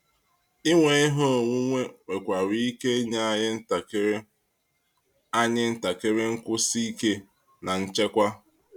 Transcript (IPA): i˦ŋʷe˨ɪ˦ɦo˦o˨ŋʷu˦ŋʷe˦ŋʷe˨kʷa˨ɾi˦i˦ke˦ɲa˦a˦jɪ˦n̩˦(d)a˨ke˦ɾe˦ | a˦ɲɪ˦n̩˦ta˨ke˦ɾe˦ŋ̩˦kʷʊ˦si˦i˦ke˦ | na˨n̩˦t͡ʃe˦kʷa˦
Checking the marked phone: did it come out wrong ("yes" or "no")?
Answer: yes